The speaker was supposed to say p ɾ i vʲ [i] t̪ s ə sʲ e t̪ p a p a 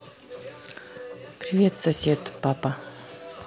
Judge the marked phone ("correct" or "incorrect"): incorrect